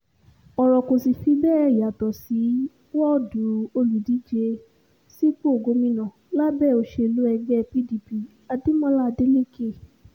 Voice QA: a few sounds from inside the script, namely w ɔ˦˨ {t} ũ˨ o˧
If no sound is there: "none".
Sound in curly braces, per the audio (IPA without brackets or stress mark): d